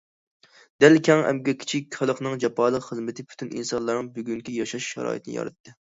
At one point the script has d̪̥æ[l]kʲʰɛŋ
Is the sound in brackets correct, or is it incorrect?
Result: correct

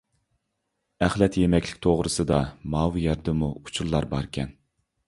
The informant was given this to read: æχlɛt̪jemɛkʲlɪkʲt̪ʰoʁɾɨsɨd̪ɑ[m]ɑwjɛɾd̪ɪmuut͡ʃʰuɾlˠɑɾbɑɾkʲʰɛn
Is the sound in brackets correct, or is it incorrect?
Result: correct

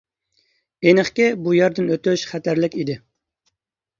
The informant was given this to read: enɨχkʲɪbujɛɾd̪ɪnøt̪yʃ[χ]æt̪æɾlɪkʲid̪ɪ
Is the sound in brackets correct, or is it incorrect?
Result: correct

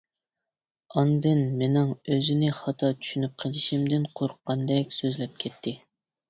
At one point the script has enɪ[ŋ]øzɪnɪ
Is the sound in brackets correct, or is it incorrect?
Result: correct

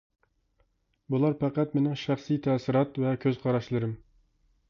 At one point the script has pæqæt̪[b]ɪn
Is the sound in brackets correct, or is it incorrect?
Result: incorrect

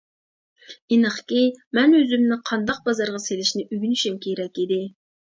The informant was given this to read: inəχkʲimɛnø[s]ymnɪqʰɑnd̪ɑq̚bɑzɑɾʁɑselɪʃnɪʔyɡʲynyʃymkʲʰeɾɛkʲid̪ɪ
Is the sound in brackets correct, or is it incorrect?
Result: incorrect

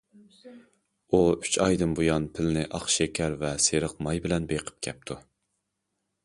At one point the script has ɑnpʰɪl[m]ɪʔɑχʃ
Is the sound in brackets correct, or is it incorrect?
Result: incorrect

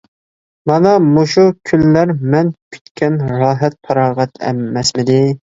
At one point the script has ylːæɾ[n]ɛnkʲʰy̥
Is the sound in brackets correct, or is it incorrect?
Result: incorrect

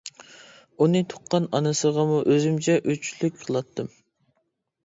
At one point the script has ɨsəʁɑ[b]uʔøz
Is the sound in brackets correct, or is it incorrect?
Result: incorrect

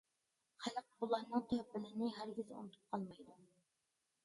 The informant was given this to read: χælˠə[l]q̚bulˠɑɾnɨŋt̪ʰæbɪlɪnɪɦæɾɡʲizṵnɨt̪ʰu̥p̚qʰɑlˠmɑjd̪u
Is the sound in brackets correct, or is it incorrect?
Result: incorrect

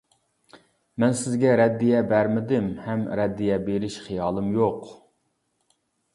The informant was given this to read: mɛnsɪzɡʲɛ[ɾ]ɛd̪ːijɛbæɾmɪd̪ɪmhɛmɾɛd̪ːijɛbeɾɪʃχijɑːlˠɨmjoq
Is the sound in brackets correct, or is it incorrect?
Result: correct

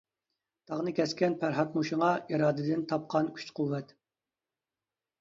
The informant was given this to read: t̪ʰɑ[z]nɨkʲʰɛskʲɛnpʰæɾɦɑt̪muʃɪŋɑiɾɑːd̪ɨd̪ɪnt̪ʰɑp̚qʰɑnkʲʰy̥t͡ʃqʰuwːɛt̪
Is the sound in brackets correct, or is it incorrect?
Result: incorrect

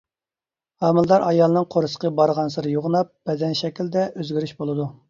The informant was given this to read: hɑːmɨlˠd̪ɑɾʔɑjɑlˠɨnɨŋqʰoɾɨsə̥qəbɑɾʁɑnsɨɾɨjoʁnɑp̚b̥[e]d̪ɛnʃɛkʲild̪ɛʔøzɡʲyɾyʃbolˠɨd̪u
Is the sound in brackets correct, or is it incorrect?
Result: incorrect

